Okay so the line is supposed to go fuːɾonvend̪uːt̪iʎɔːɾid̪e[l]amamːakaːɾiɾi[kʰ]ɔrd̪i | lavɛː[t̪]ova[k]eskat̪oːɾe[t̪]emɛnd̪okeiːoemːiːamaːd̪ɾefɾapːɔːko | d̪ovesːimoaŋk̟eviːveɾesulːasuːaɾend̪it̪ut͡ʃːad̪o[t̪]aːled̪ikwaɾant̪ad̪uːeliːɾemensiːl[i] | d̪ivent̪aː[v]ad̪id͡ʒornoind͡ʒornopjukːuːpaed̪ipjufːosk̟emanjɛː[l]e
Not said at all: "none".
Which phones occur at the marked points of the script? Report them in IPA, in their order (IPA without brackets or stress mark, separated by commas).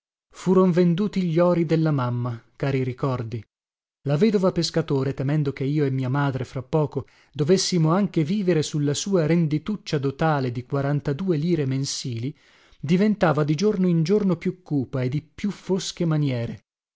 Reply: lː, k, d̪, p, t̪, t̪, i, v, ɾ